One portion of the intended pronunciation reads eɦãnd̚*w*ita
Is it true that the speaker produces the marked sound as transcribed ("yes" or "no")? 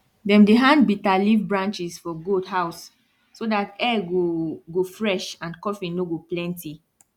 no